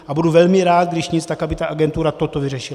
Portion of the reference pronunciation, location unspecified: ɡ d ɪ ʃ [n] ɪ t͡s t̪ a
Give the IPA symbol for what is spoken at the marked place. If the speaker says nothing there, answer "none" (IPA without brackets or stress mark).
ɲ